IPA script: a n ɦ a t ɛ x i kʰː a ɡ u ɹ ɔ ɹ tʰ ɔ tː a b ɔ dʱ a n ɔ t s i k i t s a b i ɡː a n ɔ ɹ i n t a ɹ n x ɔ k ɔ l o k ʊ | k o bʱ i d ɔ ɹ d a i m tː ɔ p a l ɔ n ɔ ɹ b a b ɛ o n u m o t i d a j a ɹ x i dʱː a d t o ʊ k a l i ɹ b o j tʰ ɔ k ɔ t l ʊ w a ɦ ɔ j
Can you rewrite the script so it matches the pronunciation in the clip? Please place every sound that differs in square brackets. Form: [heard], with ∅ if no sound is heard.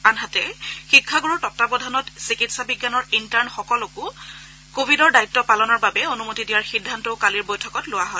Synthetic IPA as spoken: a n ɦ a t ɛ x i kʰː a ɡ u ɹ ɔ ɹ [t] ɔ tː a b ɔ dʱ a n ɔ t s i k i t s a b i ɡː a n ɔ ɹ i n t a ɹ n x ɔ k ɔ l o k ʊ | k o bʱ i d ɔ ɹ d a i [∅] tː ɔ p a l ɔ n ɔ ɹ b a b ɛ o n u m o t i d [i] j a ɹ x i dʱː a [n] t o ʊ k a l i ɹ b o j tʰ ɔ k ɔ t l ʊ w a ɦ ɔ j